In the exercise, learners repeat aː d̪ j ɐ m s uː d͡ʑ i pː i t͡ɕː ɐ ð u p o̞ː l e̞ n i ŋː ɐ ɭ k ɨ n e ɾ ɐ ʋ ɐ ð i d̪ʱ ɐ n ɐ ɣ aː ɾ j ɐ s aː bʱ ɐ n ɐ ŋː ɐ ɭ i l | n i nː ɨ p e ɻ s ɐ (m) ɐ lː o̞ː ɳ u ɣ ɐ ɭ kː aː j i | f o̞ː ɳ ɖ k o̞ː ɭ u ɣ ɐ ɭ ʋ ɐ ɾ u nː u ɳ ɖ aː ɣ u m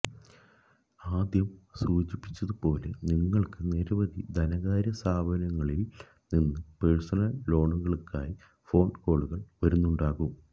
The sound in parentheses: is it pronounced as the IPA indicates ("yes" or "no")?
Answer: no